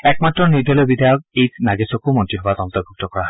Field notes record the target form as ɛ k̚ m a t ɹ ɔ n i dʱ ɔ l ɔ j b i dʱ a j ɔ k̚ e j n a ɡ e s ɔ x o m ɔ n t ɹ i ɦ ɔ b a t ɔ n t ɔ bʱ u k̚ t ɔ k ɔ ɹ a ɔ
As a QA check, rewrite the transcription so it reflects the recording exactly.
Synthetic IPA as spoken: ɛ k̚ m a t ɹ ɔ n i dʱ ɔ l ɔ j b i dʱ a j ɔ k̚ e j n a ɡ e s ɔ k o m ɔ n t ɹ i ɦ ɔ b a t ɔ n t ɔ bʱ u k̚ t ɔ k ɔ ɹ a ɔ